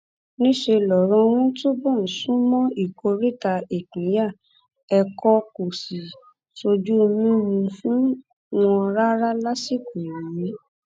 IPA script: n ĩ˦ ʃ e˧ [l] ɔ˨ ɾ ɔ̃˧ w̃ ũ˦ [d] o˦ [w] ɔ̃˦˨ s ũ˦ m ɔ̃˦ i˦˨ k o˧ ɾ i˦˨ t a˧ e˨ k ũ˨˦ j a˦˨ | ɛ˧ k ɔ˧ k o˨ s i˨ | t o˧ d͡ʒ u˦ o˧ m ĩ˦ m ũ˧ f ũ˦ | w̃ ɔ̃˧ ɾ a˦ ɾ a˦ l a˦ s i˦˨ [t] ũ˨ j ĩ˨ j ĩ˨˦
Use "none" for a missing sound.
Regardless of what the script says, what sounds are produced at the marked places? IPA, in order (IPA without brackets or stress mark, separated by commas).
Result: l, t, b, k